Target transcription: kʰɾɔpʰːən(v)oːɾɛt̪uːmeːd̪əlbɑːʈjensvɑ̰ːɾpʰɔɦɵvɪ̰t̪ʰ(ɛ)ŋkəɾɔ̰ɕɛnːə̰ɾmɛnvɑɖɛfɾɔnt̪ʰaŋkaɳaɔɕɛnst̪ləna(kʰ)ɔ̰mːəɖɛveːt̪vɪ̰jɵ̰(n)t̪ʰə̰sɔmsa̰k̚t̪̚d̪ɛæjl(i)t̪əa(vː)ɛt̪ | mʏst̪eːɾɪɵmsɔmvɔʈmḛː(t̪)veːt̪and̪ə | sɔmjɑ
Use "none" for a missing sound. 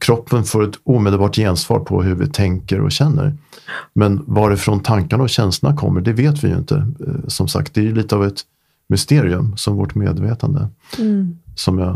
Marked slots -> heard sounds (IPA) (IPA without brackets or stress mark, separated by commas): f, ɛ, kʰ, n, iː, v, d̪